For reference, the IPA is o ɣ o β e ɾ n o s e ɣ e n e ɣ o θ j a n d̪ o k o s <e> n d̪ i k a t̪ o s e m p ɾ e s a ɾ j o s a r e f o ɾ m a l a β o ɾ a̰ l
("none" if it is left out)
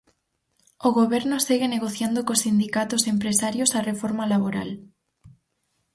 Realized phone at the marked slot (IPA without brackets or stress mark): i